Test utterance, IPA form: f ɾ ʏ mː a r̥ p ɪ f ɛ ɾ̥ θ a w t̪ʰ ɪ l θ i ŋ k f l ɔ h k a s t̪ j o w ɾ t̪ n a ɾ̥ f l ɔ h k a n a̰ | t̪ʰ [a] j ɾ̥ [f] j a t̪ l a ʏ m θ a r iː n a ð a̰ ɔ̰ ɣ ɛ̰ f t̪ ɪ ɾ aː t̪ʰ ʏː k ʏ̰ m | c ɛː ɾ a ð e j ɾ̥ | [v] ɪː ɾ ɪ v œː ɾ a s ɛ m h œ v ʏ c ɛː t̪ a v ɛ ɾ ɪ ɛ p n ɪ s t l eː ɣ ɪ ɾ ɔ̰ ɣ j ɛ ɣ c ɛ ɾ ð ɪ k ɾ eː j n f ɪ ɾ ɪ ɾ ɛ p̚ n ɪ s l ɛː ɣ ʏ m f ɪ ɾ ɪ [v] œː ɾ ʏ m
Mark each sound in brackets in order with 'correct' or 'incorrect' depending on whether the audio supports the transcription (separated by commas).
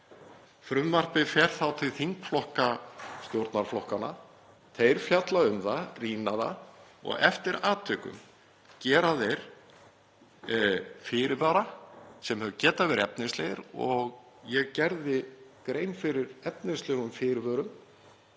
incorrect, correct, incorrect, correct